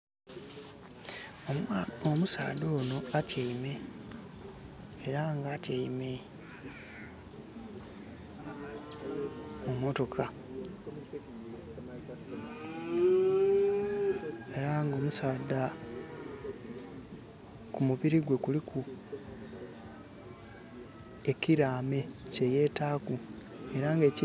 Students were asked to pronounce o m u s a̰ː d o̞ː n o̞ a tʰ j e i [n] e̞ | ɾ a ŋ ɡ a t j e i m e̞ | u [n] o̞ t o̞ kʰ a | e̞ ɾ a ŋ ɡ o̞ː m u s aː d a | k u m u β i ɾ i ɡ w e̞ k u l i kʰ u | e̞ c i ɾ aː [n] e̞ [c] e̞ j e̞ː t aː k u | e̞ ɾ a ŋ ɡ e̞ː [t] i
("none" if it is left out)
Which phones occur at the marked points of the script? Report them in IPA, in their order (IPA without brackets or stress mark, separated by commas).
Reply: m, m, m, c, c